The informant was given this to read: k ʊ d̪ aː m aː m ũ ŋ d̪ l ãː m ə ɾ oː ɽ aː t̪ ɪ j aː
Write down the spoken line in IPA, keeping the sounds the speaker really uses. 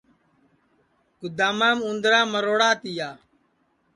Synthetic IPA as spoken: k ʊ d̪ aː m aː m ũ n d̪ ɾ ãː m ə ɾ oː ɽ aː t̪ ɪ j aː